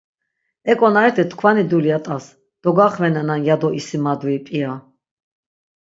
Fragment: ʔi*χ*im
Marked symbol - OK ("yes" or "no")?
no